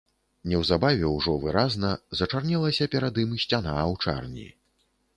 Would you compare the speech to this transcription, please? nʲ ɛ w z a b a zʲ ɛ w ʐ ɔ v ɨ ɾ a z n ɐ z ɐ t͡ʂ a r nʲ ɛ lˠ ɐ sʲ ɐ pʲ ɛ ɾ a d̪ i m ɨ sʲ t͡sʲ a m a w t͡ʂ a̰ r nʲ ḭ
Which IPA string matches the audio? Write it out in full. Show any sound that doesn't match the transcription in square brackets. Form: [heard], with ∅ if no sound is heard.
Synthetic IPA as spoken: nʲ ɛ w z a b a [vʲ] ɛ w ʐ ɔ v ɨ ɾ a z n ɐ z ɐ t͡ʂ a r nʲ ɛ lˠ ɐ sʲ ɐ pʲ ɛ ɾ a d̪ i m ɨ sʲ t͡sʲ a [n] a w t͡ʂ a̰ r nʲ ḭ